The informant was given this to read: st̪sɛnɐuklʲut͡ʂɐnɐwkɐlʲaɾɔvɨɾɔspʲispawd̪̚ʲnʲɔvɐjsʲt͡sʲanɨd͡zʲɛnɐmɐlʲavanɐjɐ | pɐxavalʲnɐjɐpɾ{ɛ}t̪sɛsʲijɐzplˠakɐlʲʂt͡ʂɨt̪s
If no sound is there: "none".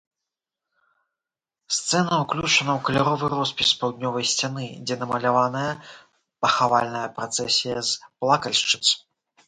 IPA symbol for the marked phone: a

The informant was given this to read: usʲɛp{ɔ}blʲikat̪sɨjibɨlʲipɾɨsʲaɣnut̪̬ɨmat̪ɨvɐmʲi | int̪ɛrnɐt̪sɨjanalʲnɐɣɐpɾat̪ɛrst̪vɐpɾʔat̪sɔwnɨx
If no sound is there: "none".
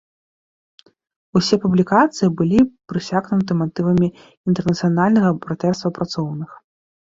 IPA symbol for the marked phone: u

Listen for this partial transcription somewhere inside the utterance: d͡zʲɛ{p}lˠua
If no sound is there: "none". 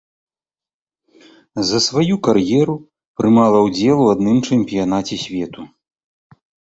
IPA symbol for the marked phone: none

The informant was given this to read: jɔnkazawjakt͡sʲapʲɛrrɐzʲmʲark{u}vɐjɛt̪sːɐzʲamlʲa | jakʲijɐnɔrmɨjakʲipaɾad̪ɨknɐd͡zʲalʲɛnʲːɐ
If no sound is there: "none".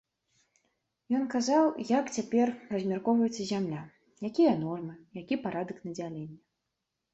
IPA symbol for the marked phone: ɔ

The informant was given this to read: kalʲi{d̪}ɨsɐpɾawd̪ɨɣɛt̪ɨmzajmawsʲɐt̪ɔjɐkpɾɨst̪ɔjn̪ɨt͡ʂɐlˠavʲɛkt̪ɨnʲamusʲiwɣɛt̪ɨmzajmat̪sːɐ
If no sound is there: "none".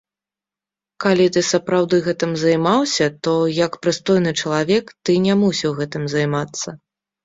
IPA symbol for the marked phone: t̪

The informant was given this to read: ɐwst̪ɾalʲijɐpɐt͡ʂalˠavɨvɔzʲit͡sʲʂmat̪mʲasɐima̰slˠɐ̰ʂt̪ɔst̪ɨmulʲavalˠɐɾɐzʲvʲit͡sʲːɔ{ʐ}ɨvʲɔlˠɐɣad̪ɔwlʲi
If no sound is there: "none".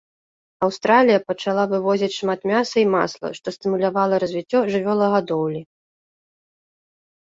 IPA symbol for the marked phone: ʐ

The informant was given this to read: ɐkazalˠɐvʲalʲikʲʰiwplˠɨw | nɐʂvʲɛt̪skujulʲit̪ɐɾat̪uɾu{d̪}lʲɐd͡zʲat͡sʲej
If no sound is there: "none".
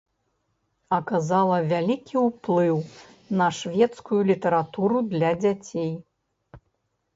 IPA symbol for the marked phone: d̪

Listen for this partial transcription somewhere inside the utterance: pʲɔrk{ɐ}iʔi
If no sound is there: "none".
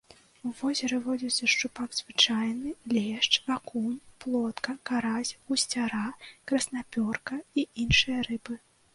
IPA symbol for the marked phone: ɐ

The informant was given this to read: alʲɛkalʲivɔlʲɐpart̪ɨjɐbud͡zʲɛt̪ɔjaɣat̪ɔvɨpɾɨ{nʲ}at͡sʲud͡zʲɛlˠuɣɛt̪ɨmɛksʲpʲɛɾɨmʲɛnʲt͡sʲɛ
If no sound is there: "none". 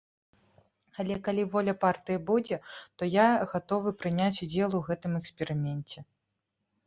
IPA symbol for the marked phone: nʲ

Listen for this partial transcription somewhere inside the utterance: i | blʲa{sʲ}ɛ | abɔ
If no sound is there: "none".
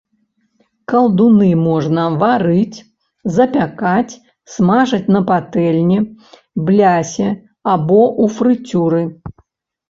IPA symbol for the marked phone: sʲ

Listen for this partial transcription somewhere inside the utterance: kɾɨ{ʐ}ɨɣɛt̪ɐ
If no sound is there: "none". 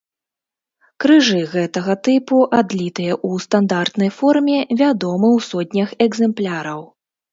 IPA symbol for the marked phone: ʐ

